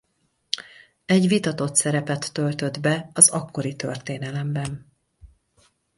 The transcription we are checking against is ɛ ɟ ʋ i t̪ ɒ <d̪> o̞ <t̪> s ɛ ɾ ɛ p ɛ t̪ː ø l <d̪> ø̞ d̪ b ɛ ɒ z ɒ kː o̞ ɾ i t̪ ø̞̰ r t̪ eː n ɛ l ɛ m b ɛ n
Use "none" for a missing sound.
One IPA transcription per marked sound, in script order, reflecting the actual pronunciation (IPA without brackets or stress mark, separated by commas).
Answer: t̪, t̪, t̪